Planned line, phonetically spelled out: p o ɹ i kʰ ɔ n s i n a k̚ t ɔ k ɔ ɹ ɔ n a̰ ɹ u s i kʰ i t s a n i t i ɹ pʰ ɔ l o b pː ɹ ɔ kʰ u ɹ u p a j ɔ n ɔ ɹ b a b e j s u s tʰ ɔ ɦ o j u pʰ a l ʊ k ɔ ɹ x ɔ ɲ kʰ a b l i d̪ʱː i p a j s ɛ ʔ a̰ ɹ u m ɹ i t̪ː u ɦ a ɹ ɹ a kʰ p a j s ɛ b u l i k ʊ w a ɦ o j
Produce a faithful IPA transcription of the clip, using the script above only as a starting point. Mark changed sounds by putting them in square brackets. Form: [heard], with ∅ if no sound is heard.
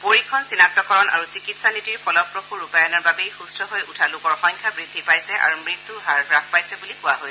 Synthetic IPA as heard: p o ɹ i kʰ ɔ n s i n a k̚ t ɔ k ɔ ɹ ɔ n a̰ ɹ u s i [k] i t s a n i t i ɹ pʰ ɔ l [ɔ] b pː ɹ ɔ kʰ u ɹ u p a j ɔ n ɔ ɹ b a b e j [x] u s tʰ ɔ ɦ o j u [tʰ] a l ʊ k ɔ ɹ x ɔ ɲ kʰ a b [ɹ] i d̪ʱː i p a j s ɛ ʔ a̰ ɹ u m ɹ i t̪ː u ɦ a ɹ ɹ a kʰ p a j s ɛ b u l i k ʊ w a ɦ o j